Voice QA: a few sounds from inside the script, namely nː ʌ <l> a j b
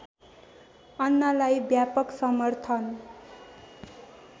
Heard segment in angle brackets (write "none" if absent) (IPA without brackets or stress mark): l